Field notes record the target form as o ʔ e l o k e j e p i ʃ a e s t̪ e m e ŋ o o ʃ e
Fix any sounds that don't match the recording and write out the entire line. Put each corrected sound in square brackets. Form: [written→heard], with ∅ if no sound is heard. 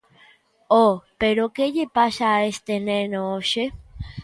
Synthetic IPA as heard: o [ʔ→p] e [l→ɾ] o k e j e p [i→a] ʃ a e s t̪ e [m→n] e [ŋ→n] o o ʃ e